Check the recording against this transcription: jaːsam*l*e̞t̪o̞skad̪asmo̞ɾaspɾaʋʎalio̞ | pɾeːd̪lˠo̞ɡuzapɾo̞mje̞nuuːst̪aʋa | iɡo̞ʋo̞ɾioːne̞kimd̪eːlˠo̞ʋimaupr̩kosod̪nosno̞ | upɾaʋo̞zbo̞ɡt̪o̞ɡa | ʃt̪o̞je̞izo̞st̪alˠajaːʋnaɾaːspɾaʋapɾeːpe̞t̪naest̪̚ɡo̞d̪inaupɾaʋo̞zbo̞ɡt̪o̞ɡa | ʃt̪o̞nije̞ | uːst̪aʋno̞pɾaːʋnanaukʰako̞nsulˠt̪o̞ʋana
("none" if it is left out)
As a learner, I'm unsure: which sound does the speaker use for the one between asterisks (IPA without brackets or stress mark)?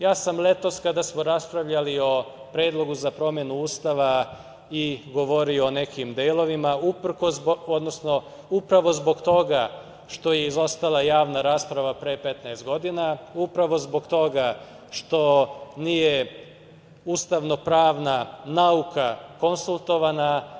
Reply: l